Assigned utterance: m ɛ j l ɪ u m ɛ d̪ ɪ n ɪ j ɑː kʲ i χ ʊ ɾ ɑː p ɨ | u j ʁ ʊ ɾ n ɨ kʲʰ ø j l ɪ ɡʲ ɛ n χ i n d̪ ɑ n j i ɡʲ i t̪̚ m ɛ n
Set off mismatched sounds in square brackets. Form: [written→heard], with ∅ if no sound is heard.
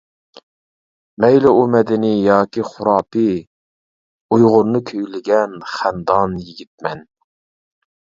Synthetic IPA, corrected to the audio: m ɛ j l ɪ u m ɛ d̪ ɪ n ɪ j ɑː kʲ i χ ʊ ɾ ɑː p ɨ | u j ʁ ʊ ɾ n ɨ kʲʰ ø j l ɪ ɡʲ ɛ n χ [i→æ] n d̪ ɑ n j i ɡʲ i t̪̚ m ɛ n